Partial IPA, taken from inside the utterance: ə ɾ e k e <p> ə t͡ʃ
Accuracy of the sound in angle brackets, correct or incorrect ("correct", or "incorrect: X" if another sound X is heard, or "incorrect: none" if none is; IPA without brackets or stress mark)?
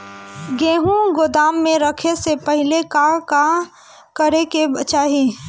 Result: incorrect: b